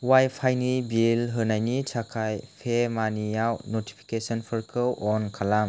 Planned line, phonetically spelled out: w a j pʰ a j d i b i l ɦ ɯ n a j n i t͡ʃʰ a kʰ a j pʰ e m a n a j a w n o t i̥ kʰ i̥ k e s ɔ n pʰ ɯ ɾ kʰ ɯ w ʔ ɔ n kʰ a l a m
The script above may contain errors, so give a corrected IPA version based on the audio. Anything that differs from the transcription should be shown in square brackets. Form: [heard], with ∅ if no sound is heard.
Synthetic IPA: w a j pʰ a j [n] i b i l ɦ ɯ n a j n i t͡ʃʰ a kʰ a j pʰ e m a n [i] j a w n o t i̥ [pʰ] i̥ k e s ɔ n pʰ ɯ ɾ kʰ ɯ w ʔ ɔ n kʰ a l a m